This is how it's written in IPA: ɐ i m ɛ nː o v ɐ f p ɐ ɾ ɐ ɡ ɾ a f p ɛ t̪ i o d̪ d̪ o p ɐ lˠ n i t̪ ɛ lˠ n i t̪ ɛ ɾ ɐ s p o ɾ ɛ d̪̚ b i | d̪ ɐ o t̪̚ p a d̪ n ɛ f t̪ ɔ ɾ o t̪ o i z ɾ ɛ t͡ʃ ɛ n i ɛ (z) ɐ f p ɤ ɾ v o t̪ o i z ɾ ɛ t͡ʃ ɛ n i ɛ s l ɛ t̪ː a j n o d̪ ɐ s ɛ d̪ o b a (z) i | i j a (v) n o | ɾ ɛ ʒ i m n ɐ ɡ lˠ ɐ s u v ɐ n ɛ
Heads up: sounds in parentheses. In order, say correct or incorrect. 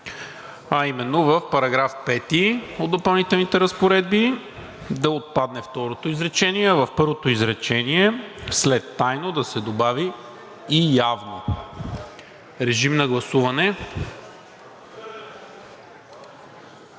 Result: incorrect: v, incorrect: v, correct

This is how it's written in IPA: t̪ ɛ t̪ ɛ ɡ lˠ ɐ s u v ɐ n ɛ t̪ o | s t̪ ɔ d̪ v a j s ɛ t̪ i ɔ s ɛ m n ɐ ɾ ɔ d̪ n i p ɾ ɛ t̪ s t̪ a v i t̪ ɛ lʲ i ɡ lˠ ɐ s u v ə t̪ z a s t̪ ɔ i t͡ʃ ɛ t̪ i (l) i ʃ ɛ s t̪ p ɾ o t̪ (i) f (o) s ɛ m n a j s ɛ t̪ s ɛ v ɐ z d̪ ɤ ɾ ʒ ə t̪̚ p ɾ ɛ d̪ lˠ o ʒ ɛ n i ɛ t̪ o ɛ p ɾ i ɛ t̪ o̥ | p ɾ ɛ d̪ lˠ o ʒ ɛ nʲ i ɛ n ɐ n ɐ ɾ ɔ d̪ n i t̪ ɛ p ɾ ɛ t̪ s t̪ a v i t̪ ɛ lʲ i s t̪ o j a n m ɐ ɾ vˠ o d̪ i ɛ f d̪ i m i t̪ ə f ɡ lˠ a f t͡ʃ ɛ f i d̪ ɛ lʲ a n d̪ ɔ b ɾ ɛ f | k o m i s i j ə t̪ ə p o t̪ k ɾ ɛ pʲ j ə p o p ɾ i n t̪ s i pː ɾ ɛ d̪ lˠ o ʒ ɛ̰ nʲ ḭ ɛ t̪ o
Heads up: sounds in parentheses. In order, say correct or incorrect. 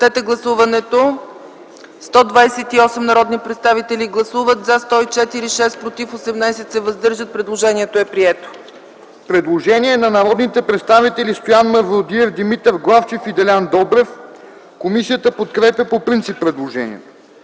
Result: incorrect: ɾ, correct, correct

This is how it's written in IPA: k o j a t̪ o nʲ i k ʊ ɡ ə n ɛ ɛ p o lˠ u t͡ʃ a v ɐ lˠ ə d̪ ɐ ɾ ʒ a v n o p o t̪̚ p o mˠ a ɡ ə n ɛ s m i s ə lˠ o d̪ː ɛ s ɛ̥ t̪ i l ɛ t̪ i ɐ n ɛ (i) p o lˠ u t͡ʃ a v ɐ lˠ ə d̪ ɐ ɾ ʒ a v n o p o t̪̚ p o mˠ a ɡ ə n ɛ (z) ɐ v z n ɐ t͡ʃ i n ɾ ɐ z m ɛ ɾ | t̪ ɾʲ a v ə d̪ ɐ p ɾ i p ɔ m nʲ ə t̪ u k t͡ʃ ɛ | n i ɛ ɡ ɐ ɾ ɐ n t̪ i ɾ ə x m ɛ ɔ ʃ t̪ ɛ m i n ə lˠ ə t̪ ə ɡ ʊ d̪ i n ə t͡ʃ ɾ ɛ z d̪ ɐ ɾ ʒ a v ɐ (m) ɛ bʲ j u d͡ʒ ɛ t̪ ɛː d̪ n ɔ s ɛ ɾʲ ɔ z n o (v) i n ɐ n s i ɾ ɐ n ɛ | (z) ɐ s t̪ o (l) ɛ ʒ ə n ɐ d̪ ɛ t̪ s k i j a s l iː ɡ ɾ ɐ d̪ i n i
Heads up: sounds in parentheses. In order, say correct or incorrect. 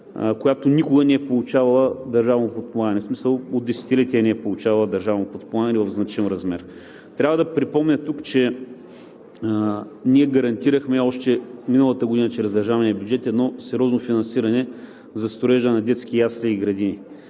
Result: incorrect: ɛ, incorrect: v, incorrect: n, incorrect: f, correct, incorrect: ɾ

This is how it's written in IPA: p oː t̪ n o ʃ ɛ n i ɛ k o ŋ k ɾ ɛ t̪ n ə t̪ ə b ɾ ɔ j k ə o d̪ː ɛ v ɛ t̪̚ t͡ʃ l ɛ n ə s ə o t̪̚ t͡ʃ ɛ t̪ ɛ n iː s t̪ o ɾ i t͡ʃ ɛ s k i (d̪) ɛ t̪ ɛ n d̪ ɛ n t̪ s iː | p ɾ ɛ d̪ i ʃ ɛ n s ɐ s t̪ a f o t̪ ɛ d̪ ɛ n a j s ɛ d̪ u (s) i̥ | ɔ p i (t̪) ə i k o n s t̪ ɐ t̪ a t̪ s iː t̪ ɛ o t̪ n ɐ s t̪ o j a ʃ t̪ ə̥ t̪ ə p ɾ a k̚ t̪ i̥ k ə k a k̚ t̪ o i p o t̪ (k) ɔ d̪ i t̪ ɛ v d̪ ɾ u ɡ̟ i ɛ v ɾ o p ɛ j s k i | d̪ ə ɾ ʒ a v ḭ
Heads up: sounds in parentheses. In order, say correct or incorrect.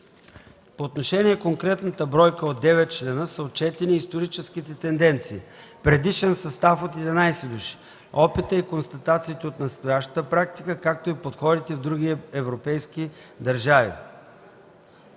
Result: incorrect: t̪, incorrect: ʃ, correct, incorrect: x

